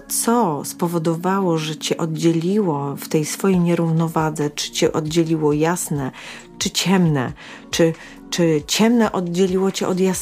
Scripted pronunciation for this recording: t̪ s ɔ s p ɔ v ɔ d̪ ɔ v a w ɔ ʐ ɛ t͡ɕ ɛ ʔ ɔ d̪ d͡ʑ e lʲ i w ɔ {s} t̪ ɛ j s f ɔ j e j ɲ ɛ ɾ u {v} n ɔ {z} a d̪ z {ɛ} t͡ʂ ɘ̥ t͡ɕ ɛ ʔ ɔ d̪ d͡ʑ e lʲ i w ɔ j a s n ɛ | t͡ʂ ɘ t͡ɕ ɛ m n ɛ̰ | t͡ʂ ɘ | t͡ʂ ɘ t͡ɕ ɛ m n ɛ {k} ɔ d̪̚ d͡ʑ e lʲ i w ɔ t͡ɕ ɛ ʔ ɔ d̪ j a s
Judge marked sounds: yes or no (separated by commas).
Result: no, yes, no, yes, no